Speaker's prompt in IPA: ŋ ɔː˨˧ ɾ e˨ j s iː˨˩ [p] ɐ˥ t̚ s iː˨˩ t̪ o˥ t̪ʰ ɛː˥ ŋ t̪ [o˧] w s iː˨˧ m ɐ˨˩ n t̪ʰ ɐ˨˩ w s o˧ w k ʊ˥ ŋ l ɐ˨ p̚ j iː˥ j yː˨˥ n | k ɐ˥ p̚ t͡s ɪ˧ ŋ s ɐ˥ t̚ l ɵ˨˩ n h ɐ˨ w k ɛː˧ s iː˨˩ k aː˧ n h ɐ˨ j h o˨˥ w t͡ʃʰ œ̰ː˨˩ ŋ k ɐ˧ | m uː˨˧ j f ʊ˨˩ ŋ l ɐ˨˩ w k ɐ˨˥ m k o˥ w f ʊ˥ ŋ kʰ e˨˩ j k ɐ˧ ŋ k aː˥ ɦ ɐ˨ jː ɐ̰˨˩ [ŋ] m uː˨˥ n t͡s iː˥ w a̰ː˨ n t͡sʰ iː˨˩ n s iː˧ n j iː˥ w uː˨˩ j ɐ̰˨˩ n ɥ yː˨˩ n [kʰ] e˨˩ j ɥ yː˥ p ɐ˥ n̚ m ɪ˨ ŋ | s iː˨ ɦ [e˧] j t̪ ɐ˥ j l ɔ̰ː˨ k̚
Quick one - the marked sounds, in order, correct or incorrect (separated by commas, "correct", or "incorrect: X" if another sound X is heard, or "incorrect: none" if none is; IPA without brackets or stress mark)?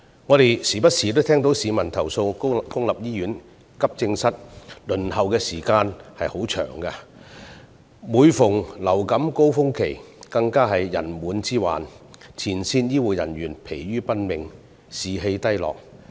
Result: correct, incorrect: o˨˥, incorrect: n, incorrect: pʰ, correct